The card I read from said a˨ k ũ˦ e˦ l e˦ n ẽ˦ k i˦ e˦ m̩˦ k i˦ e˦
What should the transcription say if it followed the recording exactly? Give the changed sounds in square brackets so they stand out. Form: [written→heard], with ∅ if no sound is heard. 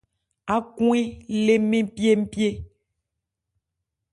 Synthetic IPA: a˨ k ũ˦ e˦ l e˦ [n→m] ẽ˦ [k→p] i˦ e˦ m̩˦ [k→p] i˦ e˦